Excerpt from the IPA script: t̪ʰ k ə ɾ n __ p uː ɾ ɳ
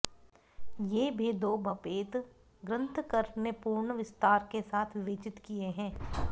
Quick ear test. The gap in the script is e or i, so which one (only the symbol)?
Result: e